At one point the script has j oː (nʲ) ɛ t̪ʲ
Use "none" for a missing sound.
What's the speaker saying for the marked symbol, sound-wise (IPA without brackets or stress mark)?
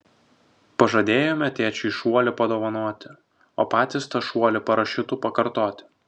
mʲ